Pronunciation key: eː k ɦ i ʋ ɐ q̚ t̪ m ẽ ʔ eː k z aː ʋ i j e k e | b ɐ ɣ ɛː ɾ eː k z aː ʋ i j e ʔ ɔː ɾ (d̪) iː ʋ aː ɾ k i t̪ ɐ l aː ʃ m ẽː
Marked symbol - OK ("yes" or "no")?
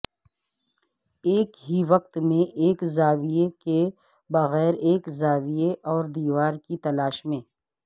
yes